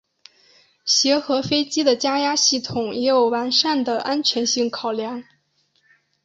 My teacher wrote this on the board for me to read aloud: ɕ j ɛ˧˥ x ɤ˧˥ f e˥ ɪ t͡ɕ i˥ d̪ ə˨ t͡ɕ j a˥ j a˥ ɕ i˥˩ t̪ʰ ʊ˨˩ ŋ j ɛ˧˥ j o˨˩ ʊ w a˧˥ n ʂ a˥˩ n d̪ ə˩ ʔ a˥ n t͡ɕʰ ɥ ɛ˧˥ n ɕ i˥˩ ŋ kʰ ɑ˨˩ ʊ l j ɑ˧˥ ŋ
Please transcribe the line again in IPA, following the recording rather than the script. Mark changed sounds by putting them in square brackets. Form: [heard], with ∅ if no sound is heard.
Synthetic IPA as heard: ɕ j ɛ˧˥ x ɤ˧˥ f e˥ ɪ t͡ɕ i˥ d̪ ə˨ t͡ɕ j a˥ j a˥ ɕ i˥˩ t̪ʰ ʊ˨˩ ŋ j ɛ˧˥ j o˨˩ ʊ w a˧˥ n ʂ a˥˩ n d̪ ə˩ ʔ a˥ n t͡ɕʰ ɥ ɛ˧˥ n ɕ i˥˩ ŋ kʰ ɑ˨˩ ʊ l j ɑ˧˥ ŋ